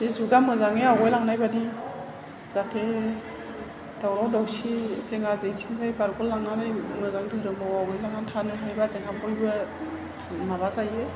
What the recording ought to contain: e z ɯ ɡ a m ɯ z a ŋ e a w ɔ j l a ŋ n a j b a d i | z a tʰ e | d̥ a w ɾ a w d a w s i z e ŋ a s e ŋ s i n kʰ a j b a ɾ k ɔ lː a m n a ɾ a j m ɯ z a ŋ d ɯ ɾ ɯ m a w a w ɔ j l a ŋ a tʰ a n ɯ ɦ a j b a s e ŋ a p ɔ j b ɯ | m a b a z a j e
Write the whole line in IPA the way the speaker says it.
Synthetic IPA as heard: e z u ɡ a m ɯ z a ŋ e a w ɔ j l a ŋ n a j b a d i | z a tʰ e | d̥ a w ɾ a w d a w s i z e ŋ a z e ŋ s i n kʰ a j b a ɾ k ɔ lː a ŋ n a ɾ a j m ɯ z a ŋ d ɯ ɾ ɯ m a w a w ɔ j l a ŋ a tʰ a n ɯ ɦ a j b a z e ŋ a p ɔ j b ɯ | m a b a z a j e